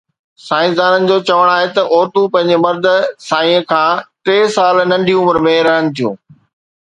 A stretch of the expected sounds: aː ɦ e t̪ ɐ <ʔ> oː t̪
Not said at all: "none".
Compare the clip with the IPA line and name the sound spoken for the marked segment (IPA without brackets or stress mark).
ʔ